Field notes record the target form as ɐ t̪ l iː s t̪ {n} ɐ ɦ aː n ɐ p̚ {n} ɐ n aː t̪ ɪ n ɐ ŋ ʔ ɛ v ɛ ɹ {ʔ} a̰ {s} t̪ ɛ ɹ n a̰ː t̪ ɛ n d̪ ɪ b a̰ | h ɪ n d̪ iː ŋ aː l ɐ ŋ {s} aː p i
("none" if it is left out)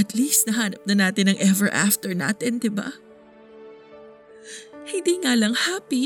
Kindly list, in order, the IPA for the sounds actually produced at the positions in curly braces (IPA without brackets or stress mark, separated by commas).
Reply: n, n, ʔ, f, h